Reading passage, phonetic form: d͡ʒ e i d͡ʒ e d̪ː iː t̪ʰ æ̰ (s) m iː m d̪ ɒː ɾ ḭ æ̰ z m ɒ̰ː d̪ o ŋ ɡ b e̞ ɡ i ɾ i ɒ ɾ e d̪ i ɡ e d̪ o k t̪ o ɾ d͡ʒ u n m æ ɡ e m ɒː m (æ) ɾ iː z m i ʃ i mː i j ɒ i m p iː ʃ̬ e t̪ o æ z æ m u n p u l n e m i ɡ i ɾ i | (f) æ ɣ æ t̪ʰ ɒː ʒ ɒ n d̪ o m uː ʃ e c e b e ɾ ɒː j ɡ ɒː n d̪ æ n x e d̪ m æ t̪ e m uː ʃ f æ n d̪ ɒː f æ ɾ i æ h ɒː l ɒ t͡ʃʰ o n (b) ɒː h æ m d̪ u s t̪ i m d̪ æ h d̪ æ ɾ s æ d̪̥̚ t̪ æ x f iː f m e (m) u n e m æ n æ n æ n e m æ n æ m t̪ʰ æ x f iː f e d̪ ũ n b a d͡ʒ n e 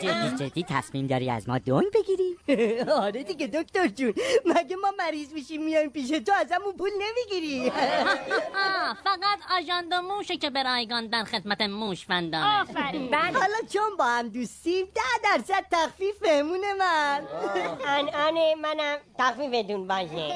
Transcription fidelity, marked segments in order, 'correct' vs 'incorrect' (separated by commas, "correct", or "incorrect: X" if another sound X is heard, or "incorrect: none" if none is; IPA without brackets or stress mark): correct, correct, correct, correct, correct